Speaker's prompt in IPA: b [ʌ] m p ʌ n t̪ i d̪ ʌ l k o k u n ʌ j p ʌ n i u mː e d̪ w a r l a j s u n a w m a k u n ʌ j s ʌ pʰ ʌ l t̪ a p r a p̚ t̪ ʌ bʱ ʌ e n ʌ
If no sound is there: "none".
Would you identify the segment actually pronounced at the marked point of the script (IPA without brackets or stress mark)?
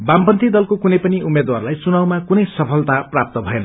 a